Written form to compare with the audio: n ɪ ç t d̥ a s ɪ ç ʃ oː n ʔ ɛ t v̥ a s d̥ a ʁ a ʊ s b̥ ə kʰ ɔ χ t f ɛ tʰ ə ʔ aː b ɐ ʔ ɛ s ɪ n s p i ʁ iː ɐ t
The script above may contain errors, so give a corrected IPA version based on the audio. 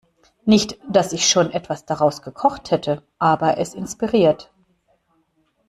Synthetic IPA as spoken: n ɪ ç t d̥ a s ɪ ç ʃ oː n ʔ ɛ t v̥ a s d̥ a ʁ a ʊ s ɡ̥ ə kʰ ɔ χ t h ɛ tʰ ə ʔ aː b ɐ ʔ ɛ s ɪ n s p i ʁ iː ɐ t